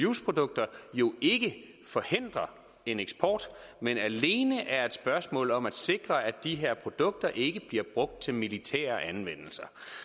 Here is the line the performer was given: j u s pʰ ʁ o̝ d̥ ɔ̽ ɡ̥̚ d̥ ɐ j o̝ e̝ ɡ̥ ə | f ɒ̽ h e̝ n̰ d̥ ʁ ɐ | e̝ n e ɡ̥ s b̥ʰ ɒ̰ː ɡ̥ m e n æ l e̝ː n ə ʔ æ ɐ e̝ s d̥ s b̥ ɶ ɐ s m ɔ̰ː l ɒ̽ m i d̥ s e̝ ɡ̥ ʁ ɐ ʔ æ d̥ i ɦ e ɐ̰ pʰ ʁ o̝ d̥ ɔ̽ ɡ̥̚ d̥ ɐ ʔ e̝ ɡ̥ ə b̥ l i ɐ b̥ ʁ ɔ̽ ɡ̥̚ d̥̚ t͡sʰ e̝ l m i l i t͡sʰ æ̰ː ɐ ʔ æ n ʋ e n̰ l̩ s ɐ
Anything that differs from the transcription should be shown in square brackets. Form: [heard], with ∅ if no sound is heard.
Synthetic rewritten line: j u s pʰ ʁ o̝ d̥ ɔ̽ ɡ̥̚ d̥ ɐ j o̝ e̝ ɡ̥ ə | f ɒ̽ h e̝ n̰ d̥ ʁ ɐ | e̝ n e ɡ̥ s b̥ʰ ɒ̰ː [d̥] m e n æ l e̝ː n ə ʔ æ ɐ e̝ [∅] d̥ s b̥ ɶ ɐ s m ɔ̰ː l ɒ̽ m [æ] d̥ s e̝ ɡ̥ ʁ ɐ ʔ æ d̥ i ɦ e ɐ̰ pʰ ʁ o̝ d̥ ɔ̽ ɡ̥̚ d̥ ɐ ʔ e̝ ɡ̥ ə b̥ l i ɐ b̥ ʁ ɔ̽ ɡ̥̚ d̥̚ t͡sʰ e̝ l m i l i t͡sʰ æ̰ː ɐ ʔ æ n ʋ e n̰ l̩ s ɐ